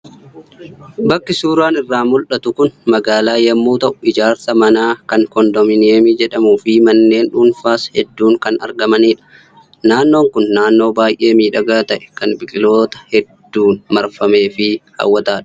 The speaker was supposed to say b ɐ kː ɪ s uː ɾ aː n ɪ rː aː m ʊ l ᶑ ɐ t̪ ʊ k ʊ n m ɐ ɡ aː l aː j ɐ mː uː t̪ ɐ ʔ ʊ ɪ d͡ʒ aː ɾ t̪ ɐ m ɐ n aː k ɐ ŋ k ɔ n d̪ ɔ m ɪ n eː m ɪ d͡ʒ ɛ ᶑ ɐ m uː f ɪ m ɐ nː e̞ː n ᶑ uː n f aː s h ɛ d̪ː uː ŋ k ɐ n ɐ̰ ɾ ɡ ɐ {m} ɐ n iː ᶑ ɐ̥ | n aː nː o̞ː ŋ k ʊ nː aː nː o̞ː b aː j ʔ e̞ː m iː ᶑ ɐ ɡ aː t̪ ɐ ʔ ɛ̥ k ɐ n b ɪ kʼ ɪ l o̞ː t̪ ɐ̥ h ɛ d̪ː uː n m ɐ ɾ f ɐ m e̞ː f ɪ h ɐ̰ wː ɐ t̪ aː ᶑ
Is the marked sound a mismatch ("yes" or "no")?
no